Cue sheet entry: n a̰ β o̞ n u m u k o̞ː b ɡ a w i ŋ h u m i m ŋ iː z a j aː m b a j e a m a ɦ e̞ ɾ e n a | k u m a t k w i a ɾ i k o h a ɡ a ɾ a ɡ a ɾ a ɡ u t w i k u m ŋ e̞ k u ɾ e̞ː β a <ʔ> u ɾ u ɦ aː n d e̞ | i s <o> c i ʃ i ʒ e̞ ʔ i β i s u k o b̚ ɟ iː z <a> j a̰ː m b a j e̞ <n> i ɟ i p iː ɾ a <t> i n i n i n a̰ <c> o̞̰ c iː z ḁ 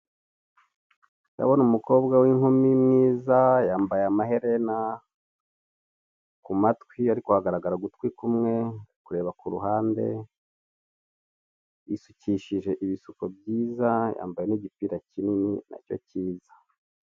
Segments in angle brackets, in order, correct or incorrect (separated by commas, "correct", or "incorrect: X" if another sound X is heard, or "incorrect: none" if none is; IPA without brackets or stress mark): incorrect: k, incorrect: u, correct, correct, incorrect: c, correct